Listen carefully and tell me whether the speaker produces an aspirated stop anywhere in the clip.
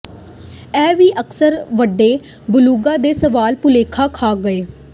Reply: yes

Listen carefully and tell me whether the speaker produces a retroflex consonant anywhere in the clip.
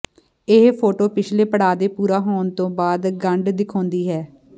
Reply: yes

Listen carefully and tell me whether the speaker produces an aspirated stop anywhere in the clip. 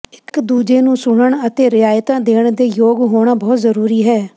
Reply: no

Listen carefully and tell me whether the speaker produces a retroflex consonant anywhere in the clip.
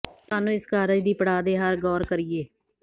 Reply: yes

